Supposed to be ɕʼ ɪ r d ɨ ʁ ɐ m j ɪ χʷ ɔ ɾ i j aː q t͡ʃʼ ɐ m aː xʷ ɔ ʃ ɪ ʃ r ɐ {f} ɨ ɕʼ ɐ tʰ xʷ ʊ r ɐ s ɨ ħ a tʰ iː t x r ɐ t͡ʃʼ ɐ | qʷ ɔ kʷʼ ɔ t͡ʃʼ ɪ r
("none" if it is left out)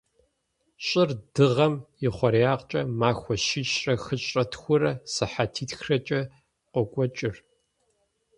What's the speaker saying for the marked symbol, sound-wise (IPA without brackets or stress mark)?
x